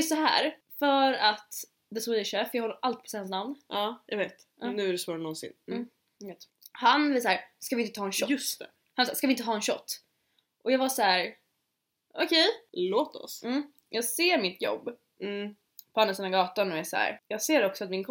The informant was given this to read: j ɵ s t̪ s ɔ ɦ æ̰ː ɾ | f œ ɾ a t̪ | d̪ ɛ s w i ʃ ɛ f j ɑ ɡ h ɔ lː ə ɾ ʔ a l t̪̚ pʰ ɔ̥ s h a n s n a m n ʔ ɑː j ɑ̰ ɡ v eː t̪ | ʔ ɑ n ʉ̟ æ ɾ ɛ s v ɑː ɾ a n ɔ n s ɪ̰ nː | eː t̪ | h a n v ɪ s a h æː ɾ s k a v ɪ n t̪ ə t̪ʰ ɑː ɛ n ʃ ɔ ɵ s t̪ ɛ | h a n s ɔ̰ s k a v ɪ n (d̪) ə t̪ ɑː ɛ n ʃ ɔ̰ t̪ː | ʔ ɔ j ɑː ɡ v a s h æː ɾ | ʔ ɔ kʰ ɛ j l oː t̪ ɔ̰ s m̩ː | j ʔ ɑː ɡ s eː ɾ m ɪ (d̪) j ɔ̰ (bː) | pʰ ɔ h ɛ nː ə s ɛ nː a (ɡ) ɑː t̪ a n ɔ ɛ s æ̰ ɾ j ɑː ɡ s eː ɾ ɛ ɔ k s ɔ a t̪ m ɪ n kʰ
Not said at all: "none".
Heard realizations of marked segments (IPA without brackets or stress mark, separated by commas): t̪, t̪, bː, ɡ